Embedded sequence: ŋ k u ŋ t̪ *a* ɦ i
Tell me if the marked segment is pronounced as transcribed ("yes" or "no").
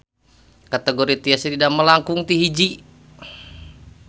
no